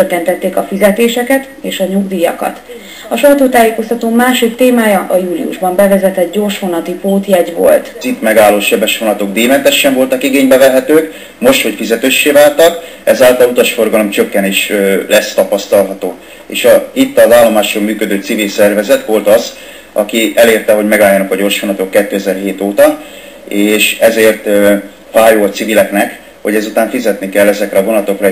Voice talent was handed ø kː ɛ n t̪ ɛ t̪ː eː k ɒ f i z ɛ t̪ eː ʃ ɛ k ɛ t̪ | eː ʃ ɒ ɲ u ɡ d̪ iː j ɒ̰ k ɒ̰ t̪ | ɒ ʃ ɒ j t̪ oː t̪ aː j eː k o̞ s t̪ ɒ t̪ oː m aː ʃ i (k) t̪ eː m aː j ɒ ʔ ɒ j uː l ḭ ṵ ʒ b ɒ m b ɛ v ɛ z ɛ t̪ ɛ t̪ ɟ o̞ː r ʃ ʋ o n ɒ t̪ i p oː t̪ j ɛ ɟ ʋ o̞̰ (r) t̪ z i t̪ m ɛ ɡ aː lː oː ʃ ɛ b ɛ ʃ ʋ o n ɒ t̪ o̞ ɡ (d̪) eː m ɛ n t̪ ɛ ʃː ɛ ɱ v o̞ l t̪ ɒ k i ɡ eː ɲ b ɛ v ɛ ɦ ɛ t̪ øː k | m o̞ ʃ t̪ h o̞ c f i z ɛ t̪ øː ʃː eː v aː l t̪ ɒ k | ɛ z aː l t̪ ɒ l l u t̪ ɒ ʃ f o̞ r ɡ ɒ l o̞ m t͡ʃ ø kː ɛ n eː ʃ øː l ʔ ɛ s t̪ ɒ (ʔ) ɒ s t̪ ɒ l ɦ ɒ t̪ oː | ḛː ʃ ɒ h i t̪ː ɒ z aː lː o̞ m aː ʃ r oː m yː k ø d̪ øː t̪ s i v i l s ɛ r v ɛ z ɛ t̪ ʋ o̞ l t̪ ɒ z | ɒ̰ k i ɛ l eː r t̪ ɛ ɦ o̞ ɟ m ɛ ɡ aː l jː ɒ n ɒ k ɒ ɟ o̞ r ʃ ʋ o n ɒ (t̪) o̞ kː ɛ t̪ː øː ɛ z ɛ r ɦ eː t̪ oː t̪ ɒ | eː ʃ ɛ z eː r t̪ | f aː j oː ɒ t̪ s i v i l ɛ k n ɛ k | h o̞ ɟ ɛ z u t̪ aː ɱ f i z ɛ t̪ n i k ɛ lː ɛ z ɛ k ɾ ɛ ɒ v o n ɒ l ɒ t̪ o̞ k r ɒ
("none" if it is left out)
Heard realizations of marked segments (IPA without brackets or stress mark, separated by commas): k, l, d̪, p, t̪